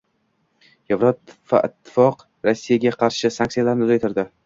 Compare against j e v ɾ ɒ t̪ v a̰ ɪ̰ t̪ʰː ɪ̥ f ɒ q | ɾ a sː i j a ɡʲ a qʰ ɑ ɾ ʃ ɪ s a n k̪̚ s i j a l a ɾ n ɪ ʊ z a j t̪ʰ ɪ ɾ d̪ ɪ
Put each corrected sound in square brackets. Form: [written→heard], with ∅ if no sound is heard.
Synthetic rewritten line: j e v ɾ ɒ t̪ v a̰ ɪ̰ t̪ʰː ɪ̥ f ɒ q | ɾ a sː i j a ɡʲ a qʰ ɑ ɾ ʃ ɪ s a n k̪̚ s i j a l a ɾ n ɪ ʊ z a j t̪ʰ ɪ ɾ d̪ ɪ